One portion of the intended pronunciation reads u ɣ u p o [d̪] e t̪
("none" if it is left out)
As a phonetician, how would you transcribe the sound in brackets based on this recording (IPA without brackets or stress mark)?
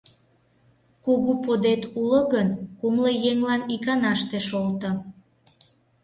d̪